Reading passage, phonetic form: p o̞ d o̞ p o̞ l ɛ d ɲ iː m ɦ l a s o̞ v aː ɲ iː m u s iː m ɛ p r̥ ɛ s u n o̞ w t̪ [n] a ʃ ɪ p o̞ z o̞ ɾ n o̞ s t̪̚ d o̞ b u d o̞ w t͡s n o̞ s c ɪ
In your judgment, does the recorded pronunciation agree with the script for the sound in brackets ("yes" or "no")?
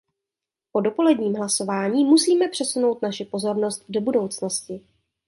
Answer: yes